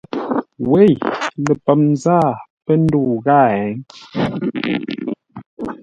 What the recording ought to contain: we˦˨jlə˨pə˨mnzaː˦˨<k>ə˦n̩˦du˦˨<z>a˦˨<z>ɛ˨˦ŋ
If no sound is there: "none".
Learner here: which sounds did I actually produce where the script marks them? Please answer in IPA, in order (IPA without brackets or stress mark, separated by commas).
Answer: p, ɣ, none